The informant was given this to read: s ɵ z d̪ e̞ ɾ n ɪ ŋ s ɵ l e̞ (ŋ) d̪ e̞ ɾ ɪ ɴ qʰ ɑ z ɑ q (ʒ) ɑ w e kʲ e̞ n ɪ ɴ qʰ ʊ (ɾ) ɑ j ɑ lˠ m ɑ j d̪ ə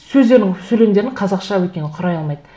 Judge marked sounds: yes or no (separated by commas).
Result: no, no, yes